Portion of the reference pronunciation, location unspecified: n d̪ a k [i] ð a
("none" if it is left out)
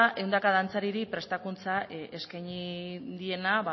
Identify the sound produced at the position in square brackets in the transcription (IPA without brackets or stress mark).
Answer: a